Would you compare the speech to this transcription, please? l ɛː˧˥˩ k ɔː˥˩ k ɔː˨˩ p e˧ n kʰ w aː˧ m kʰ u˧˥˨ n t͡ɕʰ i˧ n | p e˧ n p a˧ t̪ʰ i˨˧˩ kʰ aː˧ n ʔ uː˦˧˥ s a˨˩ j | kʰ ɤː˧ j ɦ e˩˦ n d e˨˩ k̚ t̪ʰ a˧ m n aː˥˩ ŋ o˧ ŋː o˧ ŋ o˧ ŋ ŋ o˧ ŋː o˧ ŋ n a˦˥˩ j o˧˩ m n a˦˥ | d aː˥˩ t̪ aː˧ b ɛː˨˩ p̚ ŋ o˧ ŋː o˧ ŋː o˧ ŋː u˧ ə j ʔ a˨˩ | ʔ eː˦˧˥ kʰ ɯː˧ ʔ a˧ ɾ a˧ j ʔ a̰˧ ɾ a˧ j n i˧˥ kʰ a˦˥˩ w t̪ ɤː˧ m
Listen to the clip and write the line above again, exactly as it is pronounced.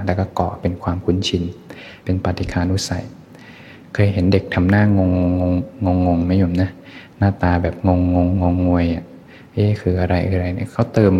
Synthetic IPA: l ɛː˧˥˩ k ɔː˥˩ k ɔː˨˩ p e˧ n kʰ w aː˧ m kʰ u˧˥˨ n t͡ɕʰ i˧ n | p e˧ n p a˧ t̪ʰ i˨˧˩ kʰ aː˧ n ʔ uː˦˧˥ s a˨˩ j | kʰ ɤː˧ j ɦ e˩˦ n d e˨˩ k̚ t̪ʰ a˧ m n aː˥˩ ŋ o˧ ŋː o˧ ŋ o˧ ŋ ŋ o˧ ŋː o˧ ŋ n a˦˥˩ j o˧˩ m n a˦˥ | n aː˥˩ t̪ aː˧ b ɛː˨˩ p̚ ŋ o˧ ŋː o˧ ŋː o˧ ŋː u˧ ə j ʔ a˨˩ | ʔ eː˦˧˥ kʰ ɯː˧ ʔ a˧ ɾ a˧ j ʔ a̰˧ ɾ a˧ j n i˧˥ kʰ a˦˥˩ w t̪ ɤː˧ m